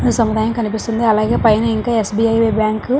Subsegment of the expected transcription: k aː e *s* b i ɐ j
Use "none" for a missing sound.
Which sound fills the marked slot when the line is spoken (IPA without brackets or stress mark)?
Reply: s